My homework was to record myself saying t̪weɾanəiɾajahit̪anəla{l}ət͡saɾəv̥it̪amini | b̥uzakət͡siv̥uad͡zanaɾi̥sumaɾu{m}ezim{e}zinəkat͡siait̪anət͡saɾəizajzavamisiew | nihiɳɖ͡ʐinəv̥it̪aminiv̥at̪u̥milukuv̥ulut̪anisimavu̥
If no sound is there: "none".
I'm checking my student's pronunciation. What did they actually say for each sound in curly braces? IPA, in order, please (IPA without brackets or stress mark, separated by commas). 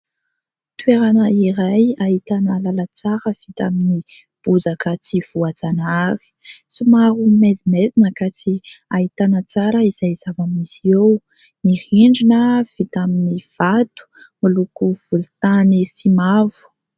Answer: l, m, e